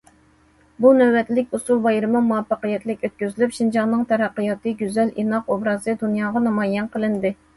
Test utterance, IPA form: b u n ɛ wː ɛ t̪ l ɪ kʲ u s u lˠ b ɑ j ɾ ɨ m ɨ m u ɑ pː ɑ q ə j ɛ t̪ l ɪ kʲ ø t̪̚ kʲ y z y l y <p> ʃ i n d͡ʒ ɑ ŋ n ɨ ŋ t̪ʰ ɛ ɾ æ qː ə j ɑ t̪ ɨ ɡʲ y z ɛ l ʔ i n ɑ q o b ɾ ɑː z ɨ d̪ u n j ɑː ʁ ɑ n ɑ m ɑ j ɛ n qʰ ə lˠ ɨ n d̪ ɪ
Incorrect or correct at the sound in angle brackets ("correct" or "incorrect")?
correct